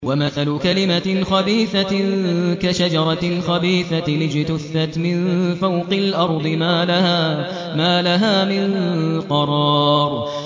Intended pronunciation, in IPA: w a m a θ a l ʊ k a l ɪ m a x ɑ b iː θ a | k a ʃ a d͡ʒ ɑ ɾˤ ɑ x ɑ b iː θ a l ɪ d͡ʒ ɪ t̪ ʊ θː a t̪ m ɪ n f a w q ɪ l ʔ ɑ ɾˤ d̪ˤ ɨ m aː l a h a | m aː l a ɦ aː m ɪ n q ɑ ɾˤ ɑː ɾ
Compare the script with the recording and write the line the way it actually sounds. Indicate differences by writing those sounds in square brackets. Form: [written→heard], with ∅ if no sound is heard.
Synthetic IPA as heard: w a m a θ a l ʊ k a l ɪ m a x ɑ b iː θ a | k a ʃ a d͡ʒ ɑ ɾˤ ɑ x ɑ b iː θ a l ɪ d͡ʒ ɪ t̪ ʊ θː a t̪ m ɪ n f a w q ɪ l ʔ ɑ ɾˤ d̪ˤ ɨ m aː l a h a | m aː l a ɦ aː m ɪ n q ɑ ɾˤ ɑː ɾ